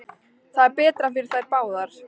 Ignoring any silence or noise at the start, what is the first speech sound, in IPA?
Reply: θ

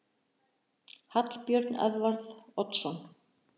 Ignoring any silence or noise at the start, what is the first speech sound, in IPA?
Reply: h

